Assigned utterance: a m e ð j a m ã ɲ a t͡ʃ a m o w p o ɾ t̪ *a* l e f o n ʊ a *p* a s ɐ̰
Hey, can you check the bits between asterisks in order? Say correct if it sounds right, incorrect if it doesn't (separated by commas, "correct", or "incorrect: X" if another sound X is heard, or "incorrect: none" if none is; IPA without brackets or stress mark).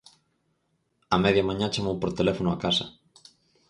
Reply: incorrect: e, incorrect: k